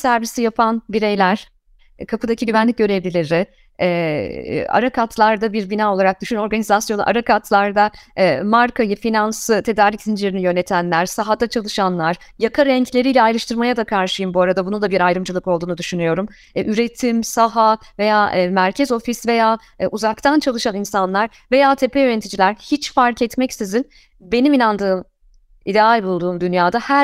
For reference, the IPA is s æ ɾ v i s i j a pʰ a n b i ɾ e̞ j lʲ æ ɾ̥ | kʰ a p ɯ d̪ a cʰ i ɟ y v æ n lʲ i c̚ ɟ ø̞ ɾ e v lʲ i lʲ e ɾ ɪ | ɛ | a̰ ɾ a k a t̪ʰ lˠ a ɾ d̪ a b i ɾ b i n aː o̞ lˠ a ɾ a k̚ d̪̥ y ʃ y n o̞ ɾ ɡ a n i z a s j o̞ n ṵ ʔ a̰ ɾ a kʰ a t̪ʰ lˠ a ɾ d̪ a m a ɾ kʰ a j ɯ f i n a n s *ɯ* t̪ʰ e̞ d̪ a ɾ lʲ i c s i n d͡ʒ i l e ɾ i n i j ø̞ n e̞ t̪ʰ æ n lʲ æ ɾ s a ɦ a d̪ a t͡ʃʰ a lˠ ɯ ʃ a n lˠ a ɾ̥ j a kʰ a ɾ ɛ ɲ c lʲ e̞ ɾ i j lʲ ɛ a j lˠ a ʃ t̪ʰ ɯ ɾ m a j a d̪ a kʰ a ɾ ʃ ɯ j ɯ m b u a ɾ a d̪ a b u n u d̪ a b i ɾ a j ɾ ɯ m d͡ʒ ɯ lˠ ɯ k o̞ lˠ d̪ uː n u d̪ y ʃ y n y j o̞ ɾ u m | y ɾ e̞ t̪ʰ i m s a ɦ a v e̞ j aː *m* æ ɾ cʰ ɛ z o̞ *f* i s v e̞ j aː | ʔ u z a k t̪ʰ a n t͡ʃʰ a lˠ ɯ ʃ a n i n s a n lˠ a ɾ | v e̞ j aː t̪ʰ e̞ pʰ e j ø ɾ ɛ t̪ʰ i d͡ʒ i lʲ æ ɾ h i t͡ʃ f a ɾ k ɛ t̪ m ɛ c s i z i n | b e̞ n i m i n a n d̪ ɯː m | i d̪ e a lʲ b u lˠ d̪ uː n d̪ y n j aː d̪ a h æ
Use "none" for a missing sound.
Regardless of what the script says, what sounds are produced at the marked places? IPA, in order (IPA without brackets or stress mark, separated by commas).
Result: ɯ, m, f